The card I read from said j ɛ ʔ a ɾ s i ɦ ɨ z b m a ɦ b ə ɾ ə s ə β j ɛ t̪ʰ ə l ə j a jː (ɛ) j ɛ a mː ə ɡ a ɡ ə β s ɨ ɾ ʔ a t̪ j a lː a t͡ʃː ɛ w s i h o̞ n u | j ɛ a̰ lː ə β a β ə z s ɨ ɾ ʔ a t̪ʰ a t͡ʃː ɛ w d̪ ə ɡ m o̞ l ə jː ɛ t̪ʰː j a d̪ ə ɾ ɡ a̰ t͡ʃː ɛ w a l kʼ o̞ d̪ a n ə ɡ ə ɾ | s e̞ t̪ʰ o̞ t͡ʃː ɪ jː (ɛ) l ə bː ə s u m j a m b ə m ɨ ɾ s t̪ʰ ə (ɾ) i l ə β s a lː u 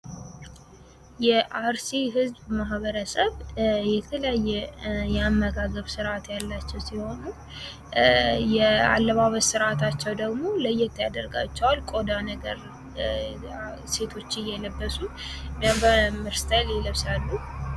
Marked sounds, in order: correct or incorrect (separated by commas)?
correct, correct, incorrect